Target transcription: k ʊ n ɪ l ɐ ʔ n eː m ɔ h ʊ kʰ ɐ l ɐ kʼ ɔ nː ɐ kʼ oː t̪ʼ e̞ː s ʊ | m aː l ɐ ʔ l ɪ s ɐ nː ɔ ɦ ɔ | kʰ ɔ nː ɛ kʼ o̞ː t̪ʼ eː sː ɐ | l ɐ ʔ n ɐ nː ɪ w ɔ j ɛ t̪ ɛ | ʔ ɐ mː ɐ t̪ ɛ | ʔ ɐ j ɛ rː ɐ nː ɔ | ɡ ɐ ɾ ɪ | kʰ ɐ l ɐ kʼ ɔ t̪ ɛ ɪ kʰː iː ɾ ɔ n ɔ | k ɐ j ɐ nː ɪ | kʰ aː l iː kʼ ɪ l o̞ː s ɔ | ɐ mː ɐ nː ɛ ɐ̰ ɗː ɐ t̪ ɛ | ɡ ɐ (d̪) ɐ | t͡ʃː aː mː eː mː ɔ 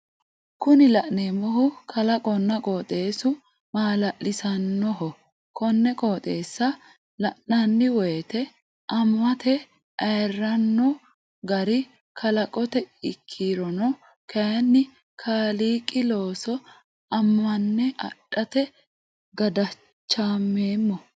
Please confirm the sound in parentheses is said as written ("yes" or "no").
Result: yes